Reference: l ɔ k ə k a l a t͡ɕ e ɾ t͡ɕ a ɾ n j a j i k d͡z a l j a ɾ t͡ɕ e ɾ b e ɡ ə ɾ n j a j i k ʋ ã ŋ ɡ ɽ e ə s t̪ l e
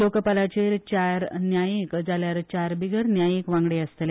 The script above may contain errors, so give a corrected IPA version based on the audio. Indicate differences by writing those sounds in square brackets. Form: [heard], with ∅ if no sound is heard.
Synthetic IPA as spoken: l [o] k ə [p] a l a t͡ɕ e ɾ t͡ɕ a ɾ n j a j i k d͡z a l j a ɾ t͡ɕ [a] ɾ b [i] ɡ ə ɾ n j a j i k ʋ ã ŋ ɡ ɽ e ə s t̪ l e